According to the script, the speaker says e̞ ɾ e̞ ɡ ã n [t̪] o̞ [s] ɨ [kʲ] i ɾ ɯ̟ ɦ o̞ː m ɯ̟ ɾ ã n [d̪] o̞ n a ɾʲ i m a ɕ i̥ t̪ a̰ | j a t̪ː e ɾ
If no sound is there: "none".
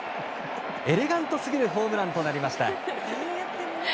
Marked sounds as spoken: t̪, s, ɡʲ, t̪

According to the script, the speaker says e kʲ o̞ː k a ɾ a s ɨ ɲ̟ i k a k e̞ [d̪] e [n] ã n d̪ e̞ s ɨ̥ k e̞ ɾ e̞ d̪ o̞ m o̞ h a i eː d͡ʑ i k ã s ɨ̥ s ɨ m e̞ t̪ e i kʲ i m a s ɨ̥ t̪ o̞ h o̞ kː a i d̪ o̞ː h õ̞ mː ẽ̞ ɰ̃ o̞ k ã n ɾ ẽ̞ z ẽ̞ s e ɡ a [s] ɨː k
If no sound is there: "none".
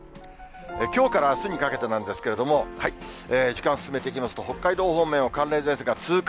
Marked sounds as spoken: t̪, n, t͡s

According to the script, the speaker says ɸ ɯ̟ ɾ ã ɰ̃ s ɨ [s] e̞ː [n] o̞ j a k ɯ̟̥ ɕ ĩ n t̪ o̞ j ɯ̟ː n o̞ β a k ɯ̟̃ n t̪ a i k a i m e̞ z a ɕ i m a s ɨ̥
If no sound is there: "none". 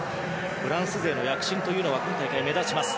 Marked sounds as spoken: z, n

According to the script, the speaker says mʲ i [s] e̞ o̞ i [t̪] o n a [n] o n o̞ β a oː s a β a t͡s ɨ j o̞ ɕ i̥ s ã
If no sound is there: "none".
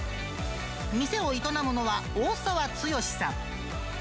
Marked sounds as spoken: s, t̪, m

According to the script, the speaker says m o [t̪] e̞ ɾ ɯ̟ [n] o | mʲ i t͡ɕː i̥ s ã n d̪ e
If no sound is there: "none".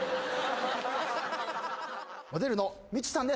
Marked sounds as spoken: d̪, n

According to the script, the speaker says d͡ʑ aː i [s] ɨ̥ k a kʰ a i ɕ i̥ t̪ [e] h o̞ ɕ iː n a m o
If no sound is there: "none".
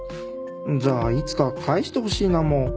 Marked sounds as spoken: t͡s, e

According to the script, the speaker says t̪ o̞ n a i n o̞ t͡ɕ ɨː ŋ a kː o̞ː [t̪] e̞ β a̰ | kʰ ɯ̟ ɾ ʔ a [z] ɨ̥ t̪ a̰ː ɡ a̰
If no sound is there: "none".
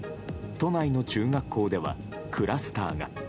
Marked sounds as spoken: d̪, s

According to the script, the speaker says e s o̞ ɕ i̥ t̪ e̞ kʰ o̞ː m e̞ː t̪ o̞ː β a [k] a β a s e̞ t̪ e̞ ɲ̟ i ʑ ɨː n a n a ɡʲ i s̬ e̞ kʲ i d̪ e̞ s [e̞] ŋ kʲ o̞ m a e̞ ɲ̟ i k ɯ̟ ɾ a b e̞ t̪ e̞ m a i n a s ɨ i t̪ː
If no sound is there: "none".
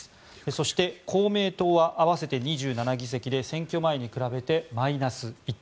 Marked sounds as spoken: ʔ, ẽ̞

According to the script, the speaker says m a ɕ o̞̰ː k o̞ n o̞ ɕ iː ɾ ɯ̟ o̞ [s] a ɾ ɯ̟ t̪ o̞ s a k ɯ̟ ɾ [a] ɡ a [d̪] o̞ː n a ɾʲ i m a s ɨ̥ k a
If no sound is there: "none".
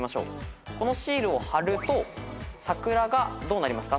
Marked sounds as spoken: h, a, d̪

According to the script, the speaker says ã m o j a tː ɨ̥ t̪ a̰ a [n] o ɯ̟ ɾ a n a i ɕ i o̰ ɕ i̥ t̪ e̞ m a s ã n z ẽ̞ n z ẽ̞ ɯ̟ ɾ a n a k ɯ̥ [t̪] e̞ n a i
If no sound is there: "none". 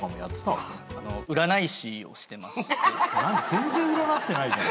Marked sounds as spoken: n, t̪

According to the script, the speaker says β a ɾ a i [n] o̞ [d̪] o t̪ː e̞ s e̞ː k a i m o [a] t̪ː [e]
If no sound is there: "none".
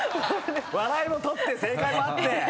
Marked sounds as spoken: m, t̪, a, e

